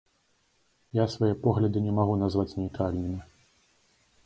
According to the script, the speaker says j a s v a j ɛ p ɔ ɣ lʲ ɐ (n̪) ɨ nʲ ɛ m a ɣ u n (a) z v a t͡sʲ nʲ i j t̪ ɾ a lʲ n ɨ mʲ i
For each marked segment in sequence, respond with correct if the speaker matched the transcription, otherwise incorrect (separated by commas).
incorrect, correct